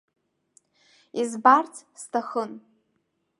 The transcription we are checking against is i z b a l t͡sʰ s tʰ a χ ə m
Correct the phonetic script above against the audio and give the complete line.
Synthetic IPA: i z b a r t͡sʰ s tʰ a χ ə n